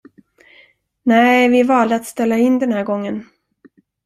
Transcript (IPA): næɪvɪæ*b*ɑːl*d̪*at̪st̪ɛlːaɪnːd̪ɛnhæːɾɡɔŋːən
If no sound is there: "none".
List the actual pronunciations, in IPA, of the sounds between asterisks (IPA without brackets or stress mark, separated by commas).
v, d̪